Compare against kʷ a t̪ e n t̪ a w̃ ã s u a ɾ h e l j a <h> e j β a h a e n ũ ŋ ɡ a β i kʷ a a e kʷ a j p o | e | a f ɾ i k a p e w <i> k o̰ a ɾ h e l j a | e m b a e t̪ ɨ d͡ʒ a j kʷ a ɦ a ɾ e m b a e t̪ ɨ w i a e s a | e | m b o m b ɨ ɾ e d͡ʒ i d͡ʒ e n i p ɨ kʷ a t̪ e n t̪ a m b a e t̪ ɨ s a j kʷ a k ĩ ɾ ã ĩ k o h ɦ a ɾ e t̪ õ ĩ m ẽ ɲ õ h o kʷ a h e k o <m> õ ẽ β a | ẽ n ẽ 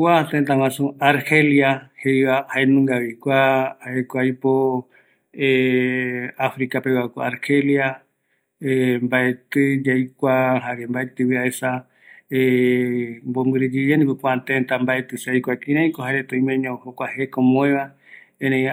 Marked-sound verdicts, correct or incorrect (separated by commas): correct, incorrect, correct